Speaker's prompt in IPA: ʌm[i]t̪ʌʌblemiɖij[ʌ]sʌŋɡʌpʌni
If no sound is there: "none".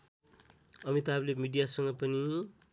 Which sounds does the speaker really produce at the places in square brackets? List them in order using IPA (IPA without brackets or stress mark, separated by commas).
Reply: i, a